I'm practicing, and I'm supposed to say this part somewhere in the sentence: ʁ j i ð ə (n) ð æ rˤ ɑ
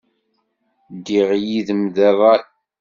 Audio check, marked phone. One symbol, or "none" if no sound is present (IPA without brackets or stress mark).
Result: m